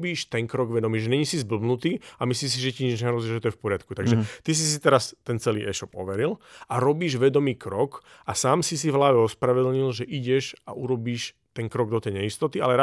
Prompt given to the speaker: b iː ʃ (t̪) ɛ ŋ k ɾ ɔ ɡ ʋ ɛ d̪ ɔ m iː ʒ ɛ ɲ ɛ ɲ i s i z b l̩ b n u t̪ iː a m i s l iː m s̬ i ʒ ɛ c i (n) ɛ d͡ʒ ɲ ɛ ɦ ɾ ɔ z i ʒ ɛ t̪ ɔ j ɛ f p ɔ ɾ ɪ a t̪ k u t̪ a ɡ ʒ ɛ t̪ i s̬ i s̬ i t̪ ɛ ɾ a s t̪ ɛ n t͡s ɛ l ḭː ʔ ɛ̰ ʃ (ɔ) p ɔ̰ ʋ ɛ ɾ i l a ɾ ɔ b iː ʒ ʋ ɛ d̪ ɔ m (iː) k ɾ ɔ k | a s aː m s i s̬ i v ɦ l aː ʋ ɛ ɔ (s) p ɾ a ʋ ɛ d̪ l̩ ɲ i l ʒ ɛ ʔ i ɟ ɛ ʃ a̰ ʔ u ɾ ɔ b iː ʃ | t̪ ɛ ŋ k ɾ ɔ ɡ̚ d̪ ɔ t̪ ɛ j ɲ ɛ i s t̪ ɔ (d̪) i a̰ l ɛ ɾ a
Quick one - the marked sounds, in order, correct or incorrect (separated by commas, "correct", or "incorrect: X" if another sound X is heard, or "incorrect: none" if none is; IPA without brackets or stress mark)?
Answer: correct, incorrect: ɲ, correct, correct, correct, incorrect: t̪